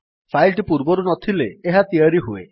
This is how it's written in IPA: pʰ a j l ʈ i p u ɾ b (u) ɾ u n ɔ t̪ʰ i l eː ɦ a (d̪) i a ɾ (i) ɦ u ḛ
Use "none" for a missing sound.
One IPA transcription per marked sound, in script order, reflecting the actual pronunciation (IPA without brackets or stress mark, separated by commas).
ɔ, t̪, i